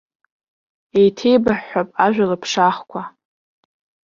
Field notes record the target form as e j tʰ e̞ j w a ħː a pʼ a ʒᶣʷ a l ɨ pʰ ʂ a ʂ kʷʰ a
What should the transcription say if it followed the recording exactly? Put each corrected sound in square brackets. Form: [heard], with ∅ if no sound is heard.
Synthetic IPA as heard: e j tʰ e̞ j [b] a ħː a pʼ a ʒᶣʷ a l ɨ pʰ ʂ a [χ] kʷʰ a